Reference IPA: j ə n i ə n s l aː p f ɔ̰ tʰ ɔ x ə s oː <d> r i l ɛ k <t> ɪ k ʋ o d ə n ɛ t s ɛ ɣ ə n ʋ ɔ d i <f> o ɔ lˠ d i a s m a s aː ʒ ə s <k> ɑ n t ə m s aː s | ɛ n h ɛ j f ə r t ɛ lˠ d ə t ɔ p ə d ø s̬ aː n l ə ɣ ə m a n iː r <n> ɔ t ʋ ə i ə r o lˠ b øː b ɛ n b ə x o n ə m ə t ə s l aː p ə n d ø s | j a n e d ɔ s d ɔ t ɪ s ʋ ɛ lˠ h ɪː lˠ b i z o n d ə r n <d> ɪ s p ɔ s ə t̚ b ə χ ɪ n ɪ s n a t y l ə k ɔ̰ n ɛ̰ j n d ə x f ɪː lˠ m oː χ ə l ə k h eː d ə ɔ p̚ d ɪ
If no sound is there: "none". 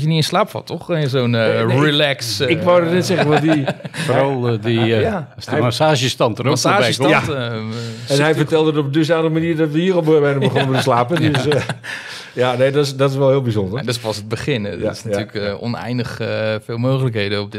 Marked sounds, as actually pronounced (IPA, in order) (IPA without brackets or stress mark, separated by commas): n, s, f, t, d, d